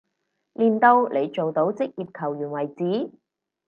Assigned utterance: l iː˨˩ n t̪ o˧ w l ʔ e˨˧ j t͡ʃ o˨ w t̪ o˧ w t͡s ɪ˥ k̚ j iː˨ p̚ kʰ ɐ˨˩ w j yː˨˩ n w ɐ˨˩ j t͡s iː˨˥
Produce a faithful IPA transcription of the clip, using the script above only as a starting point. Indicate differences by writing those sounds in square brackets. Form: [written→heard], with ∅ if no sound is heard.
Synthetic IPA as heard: l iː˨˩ n t̪ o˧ w l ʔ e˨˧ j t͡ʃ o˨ w t̪ [o˧→o˨˥] w t͡s ɪ˥ k̚ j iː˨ p̚ kʰ ɐ˨˩ w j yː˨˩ n w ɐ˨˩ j t͡s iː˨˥